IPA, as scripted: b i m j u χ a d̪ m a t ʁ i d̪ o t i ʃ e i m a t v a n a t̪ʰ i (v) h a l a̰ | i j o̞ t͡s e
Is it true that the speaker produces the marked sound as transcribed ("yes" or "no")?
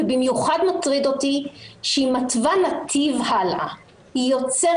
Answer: yes